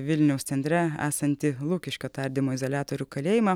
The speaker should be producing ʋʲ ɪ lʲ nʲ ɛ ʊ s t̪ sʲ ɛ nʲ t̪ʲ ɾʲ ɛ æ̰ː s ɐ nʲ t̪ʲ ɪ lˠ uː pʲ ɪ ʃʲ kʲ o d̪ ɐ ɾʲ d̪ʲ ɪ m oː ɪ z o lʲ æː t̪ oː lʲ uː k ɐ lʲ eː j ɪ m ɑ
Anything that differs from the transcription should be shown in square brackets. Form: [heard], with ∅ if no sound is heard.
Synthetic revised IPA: ʋʲ ɪ lʲ nʲ ɛ ʊ s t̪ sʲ ɛ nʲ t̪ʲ ɾʲ ɛ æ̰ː s ɐ nʲ t̪ʲ ɪ lˠ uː [kʲ] ɪ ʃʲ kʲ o [t̪] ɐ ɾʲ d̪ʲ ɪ m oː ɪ z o lʲ æː t̪ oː [ɾʲ] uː k ɐ lʲ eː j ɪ m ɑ